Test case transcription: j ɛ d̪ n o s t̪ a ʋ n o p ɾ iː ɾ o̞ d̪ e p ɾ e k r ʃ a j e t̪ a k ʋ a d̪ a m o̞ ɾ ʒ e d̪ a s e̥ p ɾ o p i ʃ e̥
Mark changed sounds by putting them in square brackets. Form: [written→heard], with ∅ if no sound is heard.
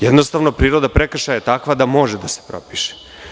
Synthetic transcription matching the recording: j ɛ d̪ n o s t̪ a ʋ n o p ɾ iː ɾ o̞ d̪ [e→a] p ɾ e k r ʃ a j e t̪ a k ʋ a d̪ a m o̞ [ɾ→∅] ʒ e d̪ a s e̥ p ɾ o p i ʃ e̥